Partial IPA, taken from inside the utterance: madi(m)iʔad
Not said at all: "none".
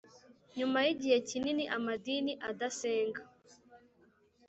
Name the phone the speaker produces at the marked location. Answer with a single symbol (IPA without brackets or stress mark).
n